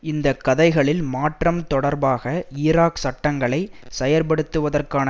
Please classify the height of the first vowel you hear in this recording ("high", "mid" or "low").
high